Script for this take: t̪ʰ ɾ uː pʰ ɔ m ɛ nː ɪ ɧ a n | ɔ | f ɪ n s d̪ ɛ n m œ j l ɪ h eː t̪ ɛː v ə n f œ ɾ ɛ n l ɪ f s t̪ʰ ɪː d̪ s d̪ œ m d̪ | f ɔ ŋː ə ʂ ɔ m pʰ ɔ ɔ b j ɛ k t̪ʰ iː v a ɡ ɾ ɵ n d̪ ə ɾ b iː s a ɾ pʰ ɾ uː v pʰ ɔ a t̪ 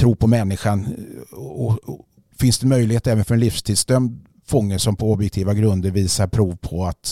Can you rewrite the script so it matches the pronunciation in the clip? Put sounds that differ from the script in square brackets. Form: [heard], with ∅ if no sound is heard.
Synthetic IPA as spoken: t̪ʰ ɾ uː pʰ ɔ m ɛ nː ɪ ɧ a n | ɔ | f ɪ n s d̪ ɛ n m œ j l ɪ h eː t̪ ɛː v ə n f œ ɾ ɛ n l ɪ f s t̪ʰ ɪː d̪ s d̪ œ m d̪ | f ɔ ŋː ə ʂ ɔ m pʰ ɔ ɔ b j ɛ k t̪ʰ iː v a ɡ ɾ ɵ n d̪ ə ɾ [v] iː s a ɾ pʰ ɾ uː v pʰ ɔ a t̪